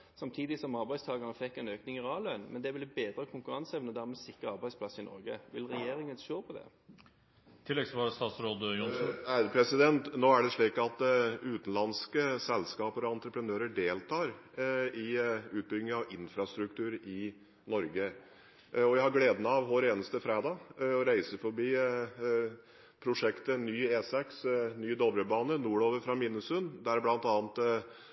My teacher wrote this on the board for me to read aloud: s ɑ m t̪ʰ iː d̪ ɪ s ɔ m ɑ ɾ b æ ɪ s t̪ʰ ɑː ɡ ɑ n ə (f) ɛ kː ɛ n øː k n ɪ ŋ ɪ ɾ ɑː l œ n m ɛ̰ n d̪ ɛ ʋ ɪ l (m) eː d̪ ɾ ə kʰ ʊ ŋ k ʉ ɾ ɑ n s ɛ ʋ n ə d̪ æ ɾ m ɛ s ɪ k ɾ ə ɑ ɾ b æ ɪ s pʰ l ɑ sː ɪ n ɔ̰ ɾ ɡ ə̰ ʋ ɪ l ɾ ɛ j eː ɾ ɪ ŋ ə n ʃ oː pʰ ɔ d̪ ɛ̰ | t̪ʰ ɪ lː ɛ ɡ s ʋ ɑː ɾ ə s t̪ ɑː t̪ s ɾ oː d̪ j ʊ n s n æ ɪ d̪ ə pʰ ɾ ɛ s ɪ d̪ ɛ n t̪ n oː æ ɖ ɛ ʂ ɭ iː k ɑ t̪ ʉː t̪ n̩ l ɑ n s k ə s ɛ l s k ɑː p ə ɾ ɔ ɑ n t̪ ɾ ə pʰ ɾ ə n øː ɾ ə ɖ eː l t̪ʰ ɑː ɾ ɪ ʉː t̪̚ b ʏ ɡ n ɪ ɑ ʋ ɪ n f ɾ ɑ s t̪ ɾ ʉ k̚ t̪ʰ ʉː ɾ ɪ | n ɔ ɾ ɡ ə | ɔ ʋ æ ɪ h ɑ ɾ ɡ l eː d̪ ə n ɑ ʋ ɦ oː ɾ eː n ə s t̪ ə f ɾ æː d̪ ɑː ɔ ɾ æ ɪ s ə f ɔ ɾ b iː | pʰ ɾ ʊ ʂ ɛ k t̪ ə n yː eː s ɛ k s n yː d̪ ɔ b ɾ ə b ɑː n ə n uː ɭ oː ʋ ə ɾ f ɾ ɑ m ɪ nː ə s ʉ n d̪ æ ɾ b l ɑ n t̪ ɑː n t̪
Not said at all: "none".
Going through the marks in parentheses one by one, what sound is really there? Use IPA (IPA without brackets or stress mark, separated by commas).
f, b